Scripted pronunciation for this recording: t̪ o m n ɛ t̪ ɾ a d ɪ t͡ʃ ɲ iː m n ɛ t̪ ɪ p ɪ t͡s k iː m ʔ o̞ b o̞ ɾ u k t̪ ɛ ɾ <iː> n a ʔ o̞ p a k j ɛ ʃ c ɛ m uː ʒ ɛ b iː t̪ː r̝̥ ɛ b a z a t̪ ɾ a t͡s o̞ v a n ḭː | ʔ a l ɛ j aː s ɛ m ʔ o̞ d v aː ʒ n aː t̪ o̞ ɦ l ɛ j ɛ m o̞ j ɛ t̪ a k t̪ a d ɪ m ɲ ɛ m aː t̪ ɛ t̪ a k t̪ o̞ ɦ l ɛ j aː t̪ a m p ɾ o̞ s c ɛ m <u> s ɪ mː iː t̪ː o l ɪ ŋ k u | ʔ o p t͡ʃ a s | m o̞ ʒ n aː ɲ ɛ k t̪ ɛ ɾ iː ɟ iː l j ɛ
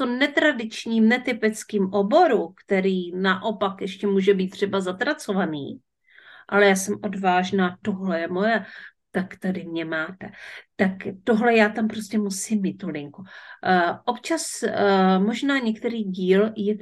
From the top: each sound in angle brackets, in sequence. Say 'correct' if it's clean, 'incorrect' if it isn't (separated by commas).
correct, correct